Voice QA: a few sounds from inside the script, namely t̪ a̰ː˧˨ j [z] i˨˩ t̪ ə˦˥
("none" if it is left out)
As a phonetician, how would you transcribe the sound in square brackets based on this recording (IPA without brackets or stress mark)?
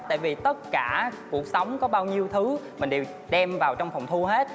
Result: v